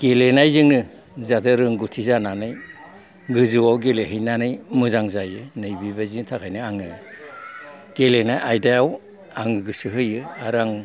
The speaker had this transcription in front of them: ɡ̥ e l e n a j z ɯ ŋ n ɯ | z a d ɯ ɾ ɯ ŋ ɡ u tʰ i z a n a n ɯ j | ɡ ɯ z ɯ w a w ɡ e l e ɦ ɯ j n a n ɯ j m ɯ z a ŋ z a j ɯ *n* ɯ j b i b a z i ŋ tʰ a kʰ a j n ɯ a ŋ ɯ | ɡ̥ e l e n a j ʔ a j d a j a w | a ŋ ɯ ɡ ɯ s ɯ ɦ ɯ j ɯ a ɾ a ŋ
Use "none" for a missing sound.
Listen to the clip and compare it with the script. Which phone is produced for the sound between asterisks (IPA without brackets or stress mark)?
n